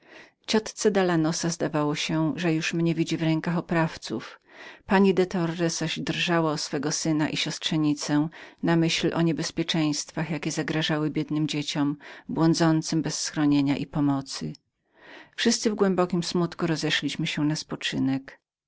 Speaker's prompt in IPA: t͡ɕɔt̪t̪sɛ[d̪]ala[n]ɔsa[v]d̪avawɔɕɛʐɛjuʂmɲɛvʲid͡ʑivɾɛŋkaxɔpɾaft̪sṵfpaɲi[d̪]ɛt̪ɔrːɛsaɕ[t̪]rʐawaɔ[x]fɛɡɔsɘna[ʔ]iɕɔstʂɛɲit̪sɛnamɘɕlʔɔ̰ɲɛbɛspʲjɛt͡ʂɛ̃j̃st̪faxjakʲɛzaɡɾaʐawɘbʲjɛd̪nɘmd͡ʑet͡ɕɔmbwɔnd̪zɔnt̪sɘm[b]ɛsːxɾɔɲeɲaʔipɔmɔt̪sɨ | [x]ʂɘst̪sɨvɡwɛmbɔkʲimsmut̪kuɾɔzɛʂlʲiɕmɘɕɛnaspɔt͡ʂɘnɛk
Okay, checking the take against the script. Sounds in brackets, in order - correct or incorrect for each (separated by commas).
correct, correct, incorrect, correct, incorrect, incorrect, correct, correct, incorrect